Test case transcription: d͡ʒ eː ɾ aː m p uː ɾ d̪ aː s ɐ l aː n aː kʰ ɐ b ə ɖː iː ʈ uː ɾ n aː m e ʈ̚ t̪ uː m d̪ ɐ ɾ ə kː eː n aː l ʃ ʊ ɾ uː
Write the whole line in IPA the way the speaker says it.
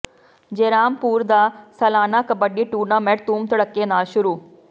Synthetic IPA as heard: d͡ʒ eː ɾ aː m p uː ɾ d̪ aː s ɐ l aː n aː k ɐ b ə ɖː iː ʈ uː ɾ n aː m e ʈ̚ t̪ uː m t̪ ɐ ɽ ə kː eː n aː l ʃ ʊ ɾ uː